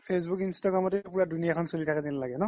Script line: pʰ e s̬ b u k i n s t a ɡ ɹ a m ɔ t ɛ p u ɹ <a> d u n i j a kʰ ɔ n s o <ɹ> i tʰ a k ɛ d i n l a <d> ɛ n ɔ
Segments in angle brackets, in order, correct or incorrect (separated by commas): correct, incorrect, incorrect